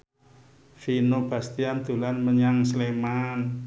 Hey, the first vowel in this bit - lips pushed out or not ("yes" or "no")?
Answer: no